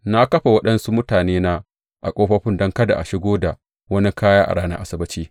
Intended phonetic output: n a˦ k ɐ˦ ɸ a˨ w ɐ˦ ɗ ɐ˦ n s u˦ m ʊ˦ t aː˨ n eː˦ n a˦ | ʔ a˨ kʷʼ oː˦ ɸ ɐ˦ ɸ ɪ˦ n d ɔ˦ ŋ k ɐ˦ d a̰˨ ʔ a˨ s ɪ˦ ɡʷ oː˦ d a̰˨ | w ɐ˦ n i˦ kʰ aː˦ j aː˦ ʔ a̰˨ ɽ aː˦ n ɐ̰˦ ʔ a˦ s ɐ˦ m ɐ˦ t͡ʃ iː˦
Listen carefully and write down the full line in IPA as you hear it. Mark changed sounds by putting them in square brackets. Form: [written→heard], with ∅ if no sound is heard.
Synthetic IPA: n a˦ k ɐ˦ ɸ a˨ w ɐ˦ ɗ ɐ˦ n s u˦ m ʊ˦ t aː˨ n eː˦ n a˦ | ʔ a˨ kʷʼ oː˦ ɸ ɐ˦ ɸ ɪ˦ n d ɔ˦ ŋ k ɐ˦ d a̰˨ ʔ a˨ [s→ʃ] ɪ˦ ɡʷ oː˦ d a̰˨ | w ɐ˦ n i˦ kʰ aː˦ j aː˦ ʔ a̰˨ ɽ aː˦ n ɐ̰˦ ʔ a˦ s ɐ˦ [m→b] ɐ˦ t͡ʃ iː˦